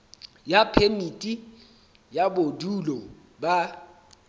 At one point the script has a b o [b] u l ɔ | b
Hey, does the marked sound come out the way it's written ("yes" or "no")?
no